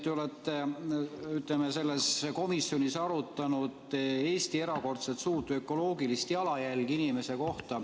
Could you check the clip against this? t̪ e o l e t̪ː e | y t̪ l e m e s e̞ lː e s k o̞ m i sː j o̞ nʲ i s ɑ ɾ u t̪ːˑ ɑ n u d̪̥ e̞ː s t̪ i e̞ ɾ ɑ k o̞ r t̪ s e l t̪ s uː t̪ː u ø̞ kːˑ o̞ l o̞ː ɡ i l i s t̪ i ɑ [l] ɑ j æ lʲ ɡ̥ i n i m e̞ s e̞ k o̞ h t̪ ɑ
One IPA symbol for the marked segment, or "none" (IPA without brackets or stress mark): l